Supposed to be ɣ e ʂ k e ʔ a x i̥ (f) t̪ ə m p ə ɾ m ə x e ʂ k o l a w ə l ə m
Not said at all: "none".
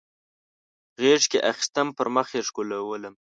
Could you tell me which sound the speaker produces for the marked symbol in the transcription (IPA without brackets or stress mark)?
s